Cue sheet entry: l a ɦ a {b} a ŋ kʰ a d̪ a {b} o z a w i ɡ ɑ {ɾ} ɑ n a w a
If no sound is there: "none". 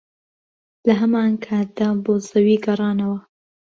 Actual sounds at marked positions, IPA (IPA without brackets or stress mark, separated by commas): m, b, ɾ